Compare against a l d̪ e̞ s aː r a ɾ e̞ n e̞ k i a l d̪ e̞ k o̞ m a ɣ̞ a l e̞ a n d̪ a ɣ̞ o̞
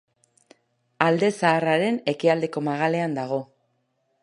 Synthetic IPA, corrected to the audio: a l d̪ e̞ s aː r a ɾ e̞ n e̞ k i a l d̪ e̞ k o̞ m a ɣ̞ a l e̞ a n d̪ a ɣ̞ o̞